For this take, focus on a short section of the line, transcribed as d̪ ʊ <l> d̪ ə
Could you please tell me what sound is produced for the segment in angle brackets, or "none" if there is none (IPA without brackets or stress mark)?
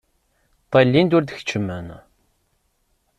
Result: ɾ